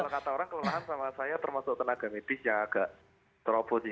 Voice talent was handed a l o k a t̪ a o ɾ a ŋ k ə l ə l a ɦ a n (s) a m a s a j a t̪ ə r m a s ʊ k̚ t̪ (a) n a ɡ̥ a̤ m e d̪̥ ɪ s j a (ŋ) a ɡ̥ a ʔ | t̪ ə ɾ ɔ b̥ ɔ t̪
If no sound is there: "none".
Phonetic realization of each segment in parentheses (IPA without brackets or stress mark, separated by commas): s, ə, ŋ